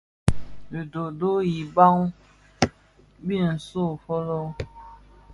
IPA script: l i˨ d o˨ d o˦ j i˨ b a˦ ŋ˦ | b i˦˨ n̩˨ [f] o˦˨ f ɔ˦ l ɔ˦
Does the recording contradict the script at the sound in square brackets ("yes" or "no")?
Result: yes